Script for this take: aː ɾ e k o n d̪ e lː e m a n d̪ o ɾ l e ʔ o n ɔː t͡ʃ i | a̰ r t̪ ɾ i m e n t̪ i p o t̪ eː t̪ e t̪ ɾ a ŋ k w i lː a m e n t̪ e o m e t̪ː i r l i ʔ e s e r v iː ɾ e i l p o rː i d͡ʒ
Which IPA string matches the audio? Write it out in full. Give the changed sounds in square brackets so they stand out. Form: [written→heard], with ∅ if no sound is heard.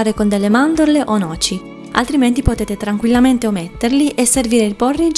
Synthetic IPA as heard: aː ɾ e k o n d̪ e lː e m a n d̪ o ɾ l e ʔ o n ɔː t͡ʃ i | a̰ [r→l] t̪ ɾ i m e n t̪ i p o t̪ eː t̪ e t̪ ɾ a ŋ k w i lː a m e n t̪ e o m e t̪ː [i→e] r l i ʔ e s e r v iː ɾ e i l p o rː i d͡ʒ

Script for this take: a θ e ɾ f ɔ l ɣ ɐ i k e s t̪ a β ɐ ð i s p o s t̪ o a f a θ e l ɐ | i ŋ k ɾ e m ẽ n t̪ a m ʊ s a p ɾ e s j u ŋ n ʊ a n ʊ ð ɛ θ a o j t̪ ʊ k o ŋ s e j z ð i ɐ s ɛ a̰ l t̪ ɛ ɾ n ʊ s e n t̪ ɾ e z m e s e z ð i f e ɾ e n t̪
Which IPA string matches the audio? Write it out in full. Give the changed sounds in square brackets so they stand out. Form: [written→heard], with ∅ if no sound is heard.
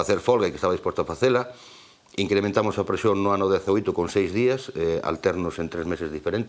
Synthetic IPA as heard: a θ e ɾ f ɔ l ɣ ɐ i k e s t̪ a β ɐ ð i s p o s t̪ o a f a θ e l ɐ | i ŋ k ɾ e m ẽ n t̪ a m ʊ s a p ɾ e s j [u→o] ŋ n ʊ a n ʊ ð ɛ θ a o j t̪ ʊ k o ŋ s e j z ð i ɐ s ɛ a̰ l t̪ ɛ ɾ n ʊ s e n t̪ ɾ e z m e s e z ð i f e ɾ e n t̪

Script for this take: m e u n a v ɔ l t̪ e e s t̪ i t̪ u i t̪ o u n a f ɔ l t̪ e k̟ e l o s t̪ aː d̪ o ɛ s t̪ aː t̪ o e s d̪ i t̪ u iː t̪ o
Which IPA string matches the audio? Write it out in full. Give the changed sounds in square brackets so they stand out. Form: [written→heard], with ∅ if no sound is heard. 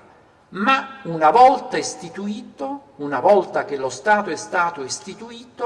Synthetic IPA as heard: m [e→a] u n a v ɔ l t̪ [e→a] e s t̪ i t̪ u [i→iː] t̪ o u n a [f→v] ɔ l t̪ [e→a] k̟ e l o s t̪ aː [d̪→t̪] o ɛ s t̪ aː t̪ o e s [d̪→t̪] i t̪ u iː t̪ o

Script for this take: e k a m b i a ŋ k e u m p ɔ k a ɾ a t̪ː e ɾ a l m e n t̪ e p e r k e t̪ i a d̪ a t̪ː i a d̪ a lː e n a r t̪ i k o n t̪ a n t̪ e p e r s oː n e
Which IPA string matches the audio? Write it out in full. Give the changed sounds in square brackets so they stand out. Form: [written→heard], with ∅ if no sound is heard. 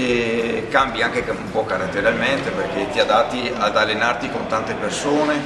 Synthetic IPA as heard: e k a m b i a ŋ k e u m p ɔ k a ɾ a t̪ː e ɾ a l m e n t̪ e p e r k e t̪ i a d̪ a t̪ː i a d̪ a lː e n a r t̪ i k o n t̪ a n t̪ e p e r s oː n e

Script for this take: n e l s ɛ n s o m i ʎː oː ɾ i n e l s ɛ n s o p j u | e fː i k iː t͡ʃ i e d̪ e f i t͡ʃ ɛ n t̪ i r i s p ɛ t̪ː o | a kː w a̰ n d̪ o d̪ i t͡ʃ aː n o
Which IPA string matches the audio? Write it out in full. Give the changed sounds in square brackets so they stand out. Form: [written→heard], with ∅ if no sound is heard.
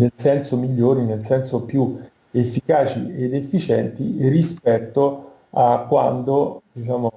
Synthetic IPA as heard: n e l s ɛ n s o m i ʎː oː ɾ i n e l s ɛ n s o p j u | e fː i k [iː→aː] t͡ʃ i e d̪ e [f→fː] i t͡ʃ ɛ n t̪ i r i s p ɛ t̪ː o | a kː w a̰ n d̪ o d̪ i t͡ʃ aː [n→m] o

